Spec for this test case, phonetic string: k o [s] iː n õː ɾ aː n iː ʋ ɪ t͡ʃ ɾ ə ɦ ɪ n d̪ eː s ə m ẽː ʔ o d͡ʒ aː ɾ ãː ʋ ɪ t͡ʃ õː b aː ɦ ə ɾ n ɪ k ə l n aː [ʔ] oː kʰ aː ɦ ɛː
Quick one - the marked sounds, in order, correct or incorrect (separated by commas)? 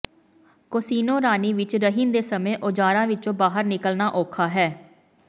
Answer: correct, correct